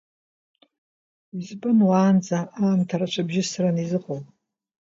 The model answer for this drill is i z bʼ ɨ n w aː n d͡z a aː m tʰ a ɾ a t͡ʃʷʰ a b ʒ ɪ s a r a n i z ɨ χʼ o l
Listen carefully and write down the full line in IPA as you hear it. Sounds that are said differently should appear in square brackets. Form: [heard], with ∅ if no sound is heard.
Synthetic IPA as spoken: i z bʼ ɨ n w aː n d͡z a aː m tʰ a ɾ a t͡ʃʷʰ a b ʒ ɪ s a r a n i z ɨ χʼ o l